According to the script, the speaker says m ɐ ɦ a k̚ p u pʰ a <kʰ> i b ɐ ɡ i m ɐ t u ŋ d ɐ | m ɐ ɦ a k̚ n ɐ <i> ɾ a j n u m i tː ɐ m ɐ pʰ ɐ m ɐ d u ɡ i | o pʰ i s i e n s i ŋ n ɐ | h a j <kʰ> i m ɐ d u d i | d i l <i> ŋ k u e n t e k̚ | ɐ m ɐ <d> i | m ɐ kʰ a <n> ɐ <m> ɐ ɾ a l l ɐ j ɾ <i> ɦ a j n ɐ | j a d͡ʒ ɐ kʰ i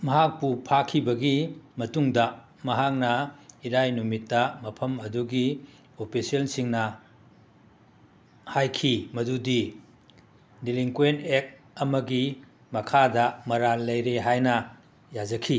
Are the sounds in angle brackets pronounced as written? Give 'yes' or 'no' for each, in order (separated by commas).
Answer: yes, yes, yes, yes, no, no, yes, no